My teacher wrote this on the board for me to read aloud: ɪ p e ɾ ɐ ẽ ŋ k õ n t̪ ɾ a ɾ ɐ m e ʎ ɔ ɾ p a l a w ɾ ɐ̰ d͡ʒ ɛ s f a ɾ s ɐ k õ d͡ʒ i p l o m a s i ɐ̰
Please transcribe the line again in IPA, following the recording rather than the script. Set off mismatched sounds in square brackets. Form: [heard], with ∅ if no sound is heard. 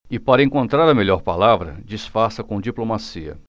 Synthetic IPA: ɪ p [a] ɾ ɐ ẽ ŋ k õ n t̪ ɾ a ɾ ɐ m e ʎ ɔ ɾ p a l a [v] ɾ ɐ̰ d͡ʒ [i] s f a ɾ s ɐ k õ d͡ʒ i p l o m a s i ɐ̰

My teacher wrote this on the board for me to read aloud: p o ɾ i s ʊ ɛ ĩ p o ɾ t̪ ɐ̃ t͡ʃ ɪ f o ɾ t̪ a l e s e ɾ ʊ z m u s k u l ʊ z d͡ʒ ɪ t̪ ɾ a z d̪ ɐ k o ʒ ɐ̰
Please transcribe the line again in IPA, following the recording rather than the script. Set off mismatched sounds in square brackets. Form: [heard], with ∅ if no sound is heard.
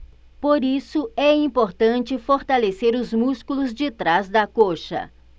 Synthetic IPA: p o ɾ i s ʊ ɛ ĩ p o ɾ t̪ ɐ̃ t͡ʃ ɪ f o ɾ t̪ a l e s e ɾ ʊ z m u s k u l ʊ z d͡ʒ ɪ t̪ ɾ a z d̪ ɐ k o [ʃ] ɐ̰

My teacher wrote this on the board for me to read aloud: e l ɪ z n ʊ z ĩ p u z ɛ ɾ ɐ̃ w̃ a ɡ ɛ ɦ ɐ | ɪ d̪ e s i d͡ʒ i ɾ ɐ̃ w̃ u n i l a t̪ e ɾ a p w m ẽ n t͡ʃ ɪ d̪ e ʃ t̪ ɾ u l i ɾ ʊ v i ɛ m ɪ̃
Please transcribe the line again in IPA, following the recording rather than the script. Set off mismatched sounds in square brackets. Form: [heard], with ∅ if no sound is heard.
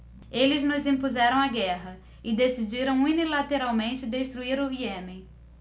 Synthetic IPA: e l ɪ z n ʊ z ĩ p u z ɛ ɾ ɐ̃ w̃ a ɡ ɛ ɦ ɐ | ɪ d̪ e s i d͡ʒ i ɾ ɐ̃ w̃ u n i l a t̪ e ɾ a [∅] w m ẽ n t͡ʃ ɪ d̪ e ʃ t̪ ɾ u [∅] i ɾ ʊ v i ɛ m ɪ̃

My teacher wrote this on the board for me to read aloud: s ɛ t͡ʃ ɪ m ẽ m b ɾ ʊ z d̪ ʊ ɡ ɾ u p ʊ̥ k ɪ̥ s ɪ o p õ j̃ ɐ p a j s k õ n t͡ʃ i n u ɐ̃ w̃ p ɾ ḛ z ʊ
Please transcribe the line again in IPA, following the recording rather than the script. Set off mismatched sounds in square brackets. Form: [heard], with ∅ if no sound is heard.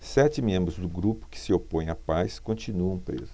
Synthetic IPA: s ɛ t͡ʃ ɪ m ẽ m b ɾ ʊ z d̪ ʊ ɡ ɾ u p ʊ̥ k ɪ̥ s ɪ o p õ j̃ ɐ p a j s k õ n t͡ʃ i n u ɐ̃ w̃ p ɾ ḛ z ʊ

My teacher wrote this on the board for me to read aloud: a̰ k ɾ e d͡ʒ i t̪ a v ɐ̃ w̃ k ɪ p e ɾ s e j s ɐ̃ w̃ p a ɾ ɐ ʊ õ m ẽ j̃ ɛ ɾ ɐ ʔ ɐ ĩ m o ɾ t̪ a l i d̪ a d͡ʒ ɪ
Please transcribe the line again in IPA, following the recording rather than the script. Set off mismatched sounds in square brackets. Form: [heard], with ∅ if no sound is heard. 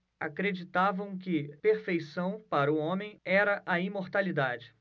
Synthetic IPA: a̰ k ɾ e d͡ʒ i t̪ a v ɐ̃ w̃ k ɪ p e ɾ [f] e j s ɐ̃ w̃ p a ɾ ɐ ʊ õ m ẽ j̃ ɛ ɾ ɐ ʔ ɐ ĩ m o ɾ t̪ a l i d̪ a d͡ʒ ɪ

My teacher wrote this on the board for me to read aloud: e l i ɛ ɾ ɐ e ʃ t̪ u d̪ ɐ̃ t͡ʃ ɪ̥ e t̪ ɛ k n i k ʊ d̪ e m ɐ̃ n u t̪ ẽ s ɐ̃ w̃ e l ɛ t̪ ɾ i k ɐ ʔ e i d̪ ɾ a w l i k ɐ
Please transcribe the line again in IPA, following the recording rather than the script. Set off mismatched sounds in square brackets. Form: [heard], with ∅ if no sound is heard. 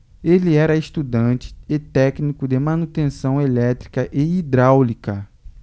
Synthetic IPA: e l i ɛ ɾ ɐ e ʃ t̪ u d̪ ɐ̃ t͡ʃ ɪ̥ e t̪ ɛ k n i k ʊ d̪ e m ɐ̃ n u t̪ ẽ s ɐ̃ w̃ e l ɛ t̪ ɾ i k ɐ ʔ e i d̪ ɾ a w l i k ɐ

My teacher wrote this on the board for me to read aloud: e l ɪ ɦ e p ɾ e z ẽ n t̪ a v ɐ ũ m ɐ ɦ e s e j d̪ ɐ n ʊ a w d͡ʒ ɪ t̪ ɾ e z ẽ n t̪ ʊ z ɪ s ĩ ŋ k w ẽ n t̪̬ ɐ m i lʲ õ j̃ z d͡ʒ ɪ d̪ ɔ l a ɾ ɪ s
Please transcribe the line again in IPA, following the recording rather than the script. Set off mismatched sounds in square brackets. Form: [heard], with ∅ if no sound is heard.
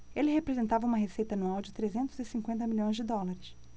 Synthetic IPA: e l ɪ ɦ e p ɾ e z ẽ n t̪ a v ɐ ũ m ɐ ɦ e s e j [t̪] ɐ n [u] a w d͡ʒ ɪ t̪ ɾ e z ẽ n t̪ ʊ z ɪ s ĩ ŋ k w ẽ n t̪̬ ɐ m i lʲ õ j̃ z d͡ʒ ɪ d̪ ɔ l a ɾ ɪ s

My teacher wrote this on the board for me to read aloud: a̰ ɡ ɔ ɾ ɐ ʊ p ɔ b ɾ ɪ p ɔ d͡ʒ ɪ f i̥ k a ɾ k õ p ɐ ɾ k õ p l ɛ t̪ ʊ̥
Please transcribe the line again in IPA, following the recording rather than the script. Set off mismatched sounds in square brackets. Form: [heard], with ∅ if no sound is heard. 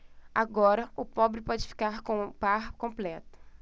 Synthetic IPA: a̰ ɡ ɔ ɾ ɐ ʊ p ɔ b ɾ ɪ p ɔ d͡ʒ ɪ f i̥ k a ɾ k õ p [a] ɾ k õ p l ɛ t̪ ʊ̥

